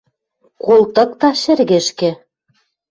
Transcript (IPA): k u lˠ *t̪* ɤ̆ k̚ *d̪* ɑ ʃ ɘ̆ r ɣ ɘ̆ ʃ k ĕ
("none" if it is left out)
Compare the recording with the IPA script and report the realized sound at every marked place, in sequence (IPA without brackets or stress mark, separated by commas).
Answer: t̪, t̪